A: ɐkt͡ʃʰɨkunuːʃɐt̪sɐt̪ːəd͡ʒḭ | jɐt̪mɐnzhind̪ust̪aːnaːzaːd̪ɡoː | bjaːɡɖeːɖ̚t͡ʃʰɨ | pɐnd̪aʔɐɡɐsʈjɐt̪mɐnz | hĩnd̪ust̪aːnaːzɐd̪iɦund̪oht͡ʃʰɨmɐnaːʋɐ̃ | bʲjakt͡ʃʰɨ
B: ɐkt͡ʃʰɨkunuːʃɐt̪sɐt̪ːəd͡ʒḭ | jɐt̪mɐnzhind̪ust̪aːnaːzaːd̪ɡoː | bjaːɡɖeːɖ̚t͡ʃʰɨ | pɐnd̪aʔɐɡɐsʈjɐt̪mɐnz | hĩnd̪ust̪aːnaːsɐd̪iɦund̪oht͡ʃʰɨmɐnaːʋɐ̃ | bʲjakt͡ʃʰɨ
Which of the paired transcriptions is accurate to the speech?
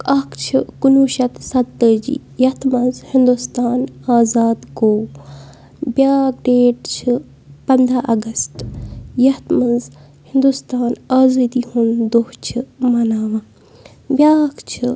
A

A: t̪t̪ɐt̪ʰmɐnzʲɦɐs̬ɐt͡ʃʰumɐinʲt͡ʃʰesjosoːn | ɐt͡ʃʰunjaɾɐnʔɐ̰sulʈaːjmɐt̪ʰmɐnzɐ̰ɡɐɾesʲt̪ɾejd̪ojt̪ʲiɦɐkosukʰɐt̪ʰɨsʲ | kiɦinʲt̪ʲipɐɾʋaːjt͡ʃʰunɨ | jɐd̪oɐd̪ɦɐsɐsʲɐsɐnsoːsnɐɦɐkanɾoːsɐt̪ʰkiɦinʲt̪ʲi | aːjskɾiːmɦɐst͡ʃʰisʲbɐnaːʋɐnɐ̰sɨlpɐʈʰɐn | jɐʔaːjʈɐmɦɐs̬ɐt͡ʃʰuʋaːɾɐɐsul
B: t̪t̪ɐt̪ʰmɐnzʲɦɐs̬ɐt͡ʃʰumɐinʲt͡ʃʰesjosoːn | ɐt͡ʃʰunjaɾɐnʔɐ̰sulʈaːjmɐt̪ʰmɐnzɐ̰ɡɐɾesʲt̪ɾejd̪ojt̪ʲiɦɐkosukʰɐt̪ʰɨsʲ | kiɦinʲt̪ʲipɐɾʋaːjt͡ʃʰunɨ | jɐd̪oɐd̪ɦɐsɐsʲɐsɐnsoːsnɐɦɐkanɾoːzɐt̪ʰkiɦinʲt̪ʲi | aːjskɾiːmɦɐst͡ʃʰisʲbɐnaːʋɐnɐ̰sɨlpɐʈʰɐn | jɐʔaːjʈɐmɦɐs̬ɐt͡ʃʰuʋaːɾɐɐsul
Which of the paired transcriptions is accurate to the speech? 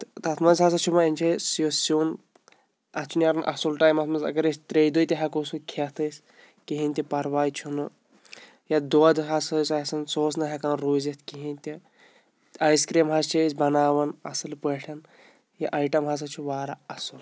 B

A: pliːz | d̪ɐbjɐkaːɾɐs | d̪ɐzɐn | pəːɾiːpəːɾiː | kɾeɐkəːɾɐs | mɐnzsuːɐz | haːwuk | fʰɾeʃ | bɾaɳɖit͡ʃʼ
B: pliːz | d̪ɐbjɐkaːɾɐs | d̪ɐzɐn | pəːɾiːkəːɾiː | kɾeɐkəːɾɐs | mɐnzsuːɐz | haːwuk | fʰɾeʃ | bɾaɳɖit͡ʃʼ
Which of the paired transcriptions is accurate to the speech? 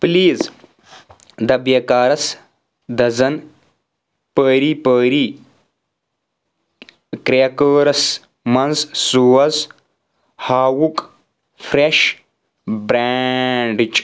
A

